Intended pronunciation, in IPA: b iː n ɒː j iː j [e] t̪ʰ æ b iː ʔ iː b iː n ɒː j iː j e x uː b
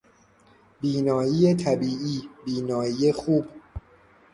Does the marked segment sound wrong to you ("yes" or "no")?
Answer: no